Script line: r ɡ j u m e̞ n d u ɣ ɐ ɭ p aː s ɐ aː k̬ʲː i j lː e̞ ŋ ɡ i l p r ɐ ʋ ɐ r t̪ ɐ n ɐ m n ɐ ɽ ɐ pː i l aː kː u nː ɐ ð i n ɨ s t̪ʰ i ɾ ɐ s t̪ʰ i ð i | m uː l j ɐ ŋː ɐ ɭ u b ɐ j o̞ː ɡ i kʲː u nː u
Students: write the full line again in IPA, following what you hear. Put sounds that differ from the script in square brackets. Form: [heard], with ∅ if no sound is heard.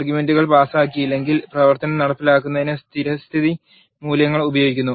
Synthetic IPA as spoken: r ɡ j u m e̞ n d u ɣ ɐ ɭ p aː s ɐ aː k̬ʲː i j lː e̞ ŋ ɡ i l p r ɐ ʋ ɐ r t̪ ɐ n ɐ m n ɐ ɽ ɐ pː i l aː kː u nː ɐ ð i n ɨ s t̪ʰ i ɾ ɐ s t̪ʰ i ð i | m uː l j ɐ ŋː ɐ ɭ u b ɐ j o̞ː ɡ i kʲː u nː u